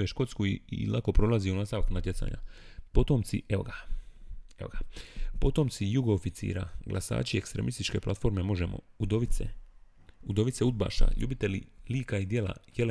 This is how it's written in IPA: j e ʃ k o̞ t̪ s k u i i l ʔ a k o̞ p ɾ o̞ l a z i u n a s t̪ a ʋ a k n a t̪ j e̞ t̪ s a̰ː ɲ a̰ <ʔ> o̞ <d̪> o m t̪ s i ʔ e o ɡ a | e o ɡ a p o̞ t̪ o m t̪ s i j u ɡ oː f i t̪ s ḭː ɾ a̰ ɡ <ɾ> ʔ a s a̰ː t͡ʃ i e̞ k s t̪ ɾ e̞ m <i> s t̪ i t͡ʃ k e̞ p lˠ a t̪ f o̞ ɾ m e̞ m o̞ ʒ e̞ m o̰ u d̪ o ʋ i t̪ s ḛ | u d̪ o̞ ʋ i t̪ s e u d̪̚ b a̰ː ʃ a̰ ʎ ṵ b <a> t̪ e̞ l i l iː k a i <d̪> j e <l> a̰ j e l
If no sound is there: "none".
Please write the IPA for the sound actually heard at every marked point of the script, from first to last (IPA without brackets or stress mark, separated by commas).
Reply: p, t̪, l, i, i, d̪, l